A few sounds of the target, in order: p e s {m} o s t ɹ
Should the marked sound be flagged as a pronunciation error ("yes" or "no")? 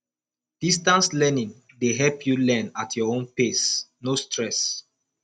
yes